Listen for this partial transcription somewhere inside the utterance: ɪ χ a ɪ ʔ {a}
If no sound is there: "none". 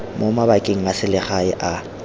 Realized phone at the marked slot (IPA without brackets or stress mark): a